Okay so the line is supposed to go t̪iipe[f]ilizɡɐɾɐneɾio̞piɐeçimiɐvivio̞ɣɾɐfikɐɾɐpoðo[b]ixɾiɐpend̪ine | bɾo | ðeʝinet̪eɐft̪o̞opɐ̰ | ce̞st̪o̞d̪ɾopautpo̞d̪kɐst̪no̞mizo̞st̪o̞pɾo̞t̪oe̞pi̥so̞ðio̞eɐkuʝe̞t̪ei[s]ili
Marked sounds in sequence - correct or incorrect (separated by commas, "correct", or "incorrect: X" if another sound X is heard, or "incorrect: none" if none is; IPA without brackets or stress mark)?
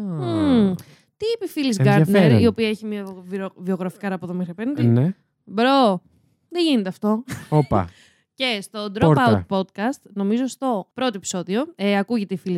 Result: correct, incorrect: m, incorrect: f